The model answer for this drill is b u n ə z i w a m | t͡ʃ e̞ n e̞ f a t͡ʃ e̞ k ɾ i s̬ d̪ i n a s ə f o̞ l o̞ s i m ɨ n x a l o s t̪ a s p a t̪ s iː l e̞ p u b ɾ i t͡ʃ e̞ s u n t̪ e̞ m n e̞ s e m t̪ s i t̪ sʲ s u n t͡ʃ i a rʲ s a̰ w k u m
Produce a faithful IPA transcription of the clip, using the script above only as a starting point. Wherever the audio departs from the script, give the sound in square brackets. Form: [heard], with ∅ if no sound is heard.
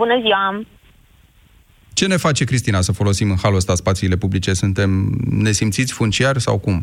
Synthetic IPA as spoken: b u n ə z i w a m | t͡ʃ e̞ n e̞ f a t͡ʃ e̞ k ɾ i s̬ [t̪] i n a s ə f o̞ l o̞ s i m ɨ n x a l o s t̪ a s p a t̪ s iː l e̞ p u b [l] i t͡ʃ e̞ s u n t̪ e̞ m n e̞ s [i] m t̪ s i t̪ sʲ [f] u n t͡ʃ i a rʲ s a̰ w k u m